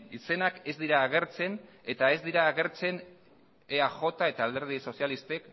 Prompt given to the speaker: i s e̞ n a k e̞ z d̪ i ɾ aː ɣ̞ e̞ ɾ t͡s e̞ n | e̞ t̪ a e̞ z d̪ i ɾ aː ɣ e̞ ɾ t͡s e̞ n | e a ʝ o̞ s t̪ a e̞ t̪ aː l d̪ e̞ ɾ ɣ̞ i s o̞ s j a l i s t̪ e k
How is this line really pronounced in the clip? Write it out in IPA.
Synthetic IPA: i s e̞ n a k e̞ z d̪ i ɾ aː ɣ̞ e̞ ɾ t͡s e̞ n | e̞ t̪ a e̞ z d̪ i ɾ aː ɣ e̞ ɾ t͡s e̞ n | e a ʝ o̞ t̪ a e̞ t̪ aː l d̪ e̞ ɾ ð̞ i s o̞ s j a l i s t̪ e k